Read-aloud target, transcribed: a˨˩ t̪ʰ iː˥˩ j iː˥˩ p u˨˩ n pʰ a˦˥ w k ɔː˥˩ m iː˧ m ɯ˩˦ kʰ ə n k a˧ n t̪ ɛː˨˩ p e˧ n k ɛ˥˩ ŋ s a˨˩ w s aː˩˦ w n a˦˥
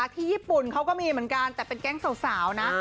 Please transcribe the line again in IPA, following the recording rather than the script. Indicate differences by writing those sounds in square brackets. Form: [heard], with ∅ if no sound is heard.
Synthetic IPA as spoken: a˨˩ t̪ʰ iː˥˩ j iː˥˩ p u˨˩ n [kʰ] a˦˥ w k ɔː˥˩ m iː˧ m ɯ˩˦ [∅] ə n k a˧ n t̪ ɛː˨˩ p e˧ n k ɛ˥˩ ŋ s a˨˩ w s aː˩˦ w n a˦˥